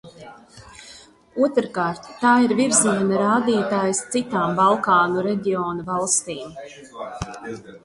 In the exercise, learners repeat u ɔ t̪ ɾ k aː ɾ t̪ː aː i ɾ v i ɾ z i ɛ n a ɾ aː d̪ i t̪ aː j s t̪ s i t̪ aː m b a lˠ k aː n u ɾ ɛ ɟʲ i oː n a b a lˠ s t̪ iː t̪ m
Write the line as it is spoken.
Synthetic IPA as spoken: u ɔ t̪ ɾ k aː ɾ t̪ː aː i ɾ v i ɾ z i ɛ n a ɾ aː d̪ iː t̪ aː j s t̪ s i t̪ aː m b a lˠ k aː n u ɾ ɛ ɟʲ i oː n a v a lˠ s t̪ iː m